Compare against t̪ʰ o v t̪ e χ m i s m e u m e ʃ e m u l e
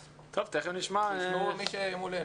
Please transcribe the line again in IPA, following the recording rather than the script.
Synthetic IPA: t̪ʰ o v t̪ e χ n i ʃ m a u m i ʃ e m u l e